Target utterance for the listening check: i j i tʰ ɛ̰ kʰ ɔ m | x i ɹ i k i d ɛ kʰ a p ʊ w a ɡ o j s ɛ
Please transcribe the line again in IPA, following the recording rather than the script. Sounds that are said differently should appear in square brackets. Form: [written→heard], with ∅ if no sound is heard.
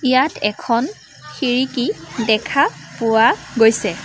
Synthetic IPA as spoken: i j [i→a] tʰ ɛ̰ kʰ ɔ [m→n] | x i ɹ i k i d ɛ kʰ a p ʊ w a ɡ o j s ɛ